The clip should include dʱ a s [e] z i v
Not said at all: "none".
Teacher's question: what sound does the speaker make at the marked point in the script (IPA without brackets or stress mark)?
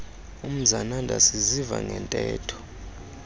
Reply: i